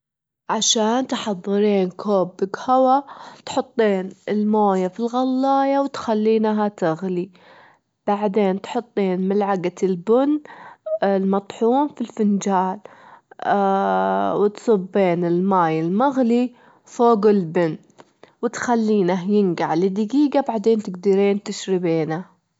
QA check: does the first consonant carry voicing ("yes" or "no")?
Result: yes